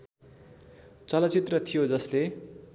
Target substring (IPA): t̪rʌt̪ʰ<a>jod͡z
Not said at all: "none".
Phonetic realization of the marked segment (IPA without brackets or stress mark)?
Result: i